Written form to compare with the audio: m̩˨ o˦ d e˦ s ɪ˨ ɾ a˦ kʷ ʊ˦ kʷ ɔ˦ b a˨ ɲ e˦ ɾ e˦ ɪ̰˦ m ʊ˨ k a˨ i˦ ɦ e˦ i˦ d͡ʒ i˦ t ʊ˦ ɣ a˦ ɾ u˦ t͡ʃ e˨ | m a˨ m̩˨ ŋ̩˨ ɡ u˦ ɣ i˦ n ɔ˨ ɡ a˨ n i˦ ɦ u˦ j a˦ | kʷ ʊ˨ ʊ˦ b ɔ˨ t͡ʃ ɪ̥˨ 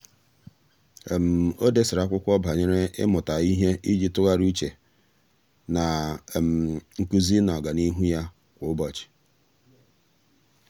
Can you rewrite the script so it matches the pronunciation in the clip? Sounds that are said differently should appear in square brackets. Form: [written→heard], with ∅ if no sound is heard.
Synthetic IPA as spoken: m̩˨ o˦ d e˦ s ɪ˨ ɾ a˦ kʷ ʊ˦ kʷ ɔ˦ b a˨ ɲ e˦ ɾ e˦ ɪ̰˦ m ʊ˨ [k→t] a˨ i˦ ɦ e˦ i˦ d͡ʒ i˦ t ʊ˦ ɣ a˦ ɾ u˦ t͡ʃ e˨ | [m→n] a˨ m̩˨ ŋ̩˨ [ɡ→k] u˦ [ɣ→z] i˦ n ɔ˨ ɡ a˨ n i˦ ɦ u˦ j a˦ | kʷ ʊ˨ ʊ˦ b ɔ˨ t͡ʃ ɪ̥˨